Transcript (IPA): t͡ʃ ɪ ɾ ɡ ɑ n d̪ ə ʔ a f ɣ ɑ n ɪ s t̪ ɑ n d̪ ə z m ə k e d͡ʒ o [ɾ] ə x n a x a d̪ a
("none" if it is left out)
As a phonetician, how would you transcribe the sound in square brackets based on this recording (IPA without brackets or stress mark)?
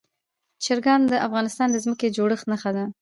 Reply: ɽ